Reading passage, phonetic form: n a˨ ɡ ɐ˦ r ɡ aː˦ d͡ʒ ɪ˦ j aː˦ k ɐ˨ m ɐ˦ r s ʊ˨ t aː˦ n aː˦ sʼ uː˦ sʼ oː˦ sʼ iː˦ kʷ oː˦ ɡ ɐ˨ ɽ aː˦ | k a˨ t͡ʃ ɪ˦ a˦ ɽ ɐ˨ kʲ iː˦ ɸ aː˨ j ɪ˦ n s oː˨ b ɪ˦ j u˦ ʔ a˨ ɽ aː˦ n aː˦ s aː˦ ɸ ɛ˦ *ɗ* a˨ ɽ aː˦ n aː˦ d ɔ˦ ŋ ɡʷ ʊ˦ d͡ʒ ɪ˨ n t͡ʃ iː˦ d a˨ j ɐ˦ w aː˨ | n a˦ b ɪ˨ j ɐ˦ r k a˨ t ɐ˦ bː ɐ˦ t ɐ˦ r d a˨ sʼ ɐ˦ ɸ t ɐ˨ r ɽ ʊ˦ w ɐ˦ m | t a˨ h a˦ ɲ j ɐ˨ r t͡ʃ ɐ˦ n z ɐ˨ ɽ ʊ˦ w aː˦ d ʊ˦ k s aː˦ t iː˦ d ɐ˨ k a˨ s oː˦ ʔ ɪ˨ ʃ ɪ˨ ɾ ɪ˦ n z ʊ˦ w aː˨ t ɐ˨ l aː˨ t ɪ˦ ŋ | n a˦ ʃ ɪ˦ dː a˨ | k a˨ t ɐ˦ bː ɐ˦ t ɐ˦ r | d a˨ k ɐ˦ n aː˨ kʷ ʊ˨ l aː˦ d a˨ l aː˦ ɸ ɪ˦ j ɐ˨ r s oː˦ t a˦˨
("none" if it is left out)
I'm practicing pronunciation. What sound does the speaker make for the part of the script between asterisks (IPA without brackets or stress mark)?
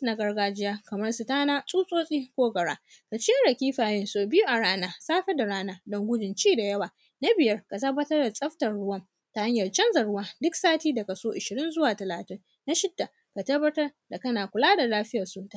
d